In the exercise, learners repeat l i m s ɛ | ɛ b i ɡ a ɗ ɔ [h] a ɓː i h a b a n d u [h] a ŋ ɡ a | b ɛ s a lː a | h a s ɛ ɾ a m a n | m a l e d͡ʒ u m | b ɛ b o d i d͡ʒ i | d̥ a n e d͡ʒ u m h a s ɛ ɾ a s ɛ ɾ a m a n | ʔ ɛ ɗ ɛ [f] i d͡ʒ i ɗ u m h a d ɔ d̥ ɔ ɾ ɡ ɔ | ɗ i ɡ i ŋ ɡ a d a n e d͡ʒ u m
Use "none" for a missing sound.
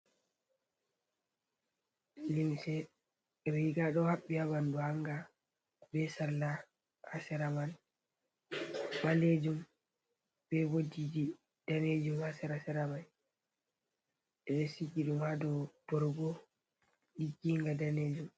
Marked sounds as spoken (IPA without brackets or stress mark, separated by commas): h, h, s